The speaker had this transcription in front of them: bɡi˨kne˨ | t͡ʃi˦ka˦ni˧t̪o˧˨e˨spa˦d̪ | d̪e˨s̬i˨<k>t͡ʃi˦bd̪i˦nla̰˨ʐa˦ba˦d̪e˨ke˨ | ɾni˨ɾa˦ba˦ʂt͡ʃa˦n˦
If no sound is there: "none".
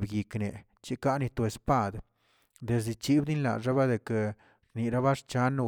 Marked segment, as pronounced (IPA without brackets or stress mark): none